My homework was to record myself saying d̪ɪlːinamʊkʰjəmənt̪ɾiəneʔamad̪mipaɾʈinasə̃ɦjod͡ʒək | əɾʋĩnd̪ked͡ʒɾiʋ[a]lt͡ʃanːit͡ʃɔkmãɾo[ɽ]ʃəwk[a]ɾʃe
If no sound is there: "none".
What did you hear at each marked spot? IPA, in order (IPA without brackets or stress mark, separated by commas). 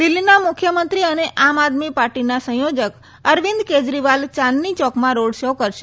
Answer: a, ɽ, ə